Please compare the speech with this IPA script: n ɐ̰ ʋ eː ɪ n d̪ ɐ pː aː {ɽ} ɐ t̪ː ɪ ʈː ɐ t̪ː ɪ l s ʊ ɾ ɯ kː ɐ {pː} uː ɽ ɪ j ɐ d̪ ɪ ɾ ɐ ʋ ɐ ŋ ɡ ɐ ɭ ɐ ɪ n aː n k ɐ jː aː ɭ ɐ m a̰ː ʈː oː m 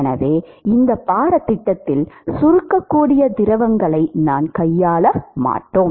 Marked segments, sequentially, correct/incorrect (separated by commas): incorrect, incorrect